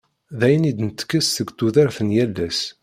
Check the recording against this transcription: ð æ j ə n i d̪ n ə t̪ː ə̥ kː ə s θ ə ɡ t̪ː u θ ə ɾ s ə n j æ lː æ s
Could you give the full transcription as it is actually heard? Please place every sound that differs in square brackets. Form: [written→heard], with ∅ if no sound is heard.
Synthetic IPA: ð æ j ə n i d̪ n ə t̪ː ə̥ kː ə s θ ə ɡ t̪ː u [θ→ð] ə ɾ [s→θ] ə n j æ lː æ s